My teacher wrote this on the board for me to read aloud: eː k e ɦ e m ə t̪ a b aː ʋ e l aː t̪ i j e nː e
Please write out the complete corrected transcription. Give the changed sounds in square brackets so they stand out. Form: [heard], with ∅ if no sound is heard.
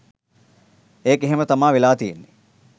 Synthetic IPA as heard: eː k e ɦ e m ə t̪ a [m] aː ʋ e l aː t̪ i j e nː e